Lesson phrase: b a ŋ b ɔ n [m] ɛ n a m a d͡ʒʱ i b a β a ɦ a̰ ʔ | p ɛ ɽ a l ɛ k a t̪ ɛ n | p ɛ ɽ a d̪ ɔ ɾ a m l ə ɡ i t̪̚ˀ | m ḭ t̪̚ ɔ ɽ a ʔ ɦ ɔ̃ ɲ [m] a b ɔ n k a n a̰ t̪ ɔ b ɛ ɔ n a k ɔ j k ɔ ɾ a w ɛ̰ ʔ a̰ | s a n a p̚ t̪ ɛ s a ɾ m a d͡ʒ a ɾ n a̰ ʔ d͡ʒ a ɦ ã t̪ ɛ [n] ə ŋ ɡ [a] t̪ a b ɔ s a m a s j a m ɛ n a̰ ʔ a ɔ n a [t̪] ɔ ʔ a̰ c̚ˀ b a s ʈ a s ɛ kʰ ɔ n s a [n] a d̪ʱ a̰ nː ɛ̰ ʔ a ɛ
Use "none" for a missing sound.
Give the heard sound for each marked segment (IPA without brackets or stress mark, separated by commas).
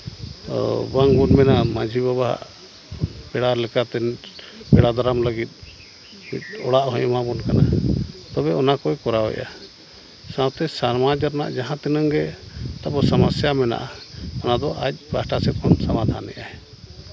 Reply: m, m, n, ɛ, d̪, m